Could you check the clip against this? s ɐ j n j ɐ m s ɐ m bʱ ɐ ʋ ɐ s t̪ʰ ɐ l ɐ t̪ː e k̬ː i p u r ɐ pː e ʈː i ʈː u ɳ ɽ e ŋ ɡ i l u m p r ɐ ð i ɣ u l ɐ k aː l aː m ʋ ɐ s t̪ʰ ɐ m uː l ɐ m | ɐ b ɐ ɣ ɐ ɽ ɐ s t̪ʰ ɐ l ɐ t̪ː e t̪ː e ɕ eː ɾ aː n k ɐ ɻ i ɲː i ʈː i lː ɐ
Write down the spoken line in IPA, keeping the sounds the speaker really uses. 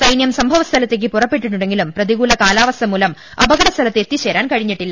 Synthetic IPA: s ɐ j n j ɐ m s ɐ m bʱ ɐ ʋ ɐ s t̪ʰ ɐ l ɐ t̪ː e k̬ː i p u r ɐ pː e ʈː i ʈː u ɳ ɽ e ŋ ɡ i l u m p r ɐ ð i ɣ uː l ɐ k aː l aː ʋ ɐ s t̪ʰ ɐ m uː l ɐ m | ɐ b ɐ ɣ ɐ ɽ ɐ s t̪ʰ ɐ l ɐ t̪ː e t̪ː i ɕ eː ɾ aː n k ɐ ɻ i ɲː i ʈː i lː ɐ